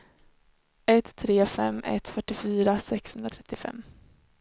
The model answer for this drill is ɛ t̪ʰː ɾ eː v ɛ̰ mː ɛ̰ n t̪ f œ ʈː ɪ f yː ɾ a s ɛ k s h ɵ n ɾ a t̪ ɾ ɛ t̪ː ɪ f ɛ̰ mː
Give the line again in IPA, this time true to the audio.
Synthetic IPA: ɛ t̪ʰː ɾ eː f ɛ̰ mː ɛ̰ t̪ f œ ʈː ɪ f yː ɾ a s ɛ k s h ɵ n ɾ a t̪ʰ ɾ ɛ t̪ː ɪ f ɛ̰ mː